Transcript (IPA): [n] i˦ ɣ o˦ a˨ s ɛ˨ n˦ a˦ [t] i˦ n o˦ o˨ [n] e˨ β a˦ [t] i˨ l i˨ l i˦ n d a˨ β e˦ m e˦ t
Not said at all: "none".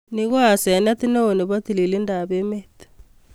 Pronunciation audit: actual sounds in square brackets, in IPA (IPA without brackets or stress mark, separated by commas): n, t, n, t